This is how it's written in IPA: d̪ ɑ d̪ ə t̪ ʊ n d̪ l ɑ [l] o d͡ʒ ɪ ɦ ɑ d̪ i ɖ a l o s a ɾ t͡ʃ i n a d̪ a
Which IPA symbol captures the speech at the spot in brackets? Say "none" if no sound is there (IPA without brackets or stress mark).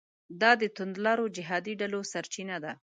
ɾ